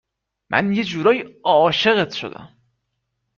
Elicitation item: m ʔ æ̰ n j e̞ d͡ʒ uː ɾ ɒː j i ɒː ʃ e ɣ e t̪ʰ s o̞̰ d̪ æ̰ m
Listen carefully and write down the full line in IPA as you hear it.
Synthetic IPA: m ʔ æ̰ n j e̞ d͡ʒ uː ɾ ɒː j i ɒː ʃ e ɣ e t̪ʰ ʃ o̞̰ d̪ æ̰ m